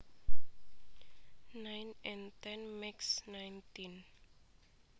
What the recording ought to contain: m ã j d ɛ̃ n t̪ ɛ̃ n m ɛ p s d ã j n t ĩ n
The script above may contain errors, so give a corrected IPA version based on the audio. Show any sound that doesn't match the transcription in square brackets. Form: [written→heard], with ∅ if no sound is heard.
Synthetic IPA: [m→n] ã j [d→n] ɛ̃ n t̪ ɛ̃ n m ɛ [p→k] s [d→n] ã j n t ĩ n